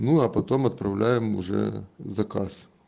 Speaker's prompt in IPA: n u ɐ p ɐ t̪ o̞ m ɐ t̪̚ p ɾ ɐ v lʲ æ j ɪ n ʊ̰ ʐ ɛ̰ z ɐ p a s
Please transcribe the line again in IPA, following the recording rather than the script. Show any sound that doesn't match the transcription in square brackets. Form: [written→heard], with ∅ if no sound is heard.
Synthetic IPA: n u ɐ p ɐ t̪ o̞ m ɐ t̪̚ p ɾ ɐ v lʲ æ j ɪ [n→m] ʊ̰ ʐ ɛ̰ z ɐ [p→k] a s